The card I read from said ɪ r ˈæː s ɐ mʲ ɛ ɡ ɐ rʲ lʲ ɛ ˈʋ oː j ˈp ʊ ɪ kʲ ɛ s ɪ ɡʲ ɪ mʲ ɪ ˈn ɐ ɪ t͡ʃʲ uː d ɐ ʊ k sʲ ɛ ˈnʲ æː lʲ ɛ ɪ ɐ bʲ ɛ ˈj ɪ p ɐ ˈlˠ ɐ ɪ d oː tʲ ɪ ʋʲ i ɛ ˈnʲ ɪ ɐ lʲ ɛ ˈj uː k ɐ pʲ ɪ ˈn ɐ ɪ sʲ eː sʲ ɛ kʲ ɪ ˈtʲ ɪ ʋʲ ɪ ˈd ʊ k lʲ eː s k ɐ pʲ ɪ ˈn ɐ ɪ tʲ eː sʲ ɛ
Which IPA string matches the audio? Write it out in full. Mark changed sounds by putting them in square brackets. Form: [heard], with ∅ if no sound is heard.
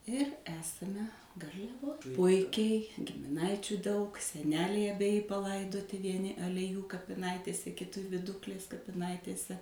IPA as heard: ɪ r ˈæː s ɐ mʲ ɛ ɡ ɐ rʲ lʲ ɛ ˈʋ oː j ˈp ʊ ɪ kʲ ɛ [∅] ɪ ɡʲ ɪ mʲ ɪ ˈn ɐ ɪ t͡ʃʲ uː d ɐ ʊ k sʲ ɛ ˈnʲ æː lʲ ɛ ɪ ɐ bʲ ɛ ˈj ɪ p ɐ ˈlˠ ɐ ɪ d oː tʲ ɪ ʋʲ i ɛ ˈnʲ ɪ ɐ lʲ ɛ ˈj uː k ɐ pʲ ɪ ˈn ɐ ɪ [tʲ] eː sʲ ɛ kʲ ɪ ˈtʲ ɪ ʋʲ ɪ ˈd ʊ k lʲ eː s k ɐ pʲ ɪ ˈn ɐ ɪ tʲ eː sʲ ɛ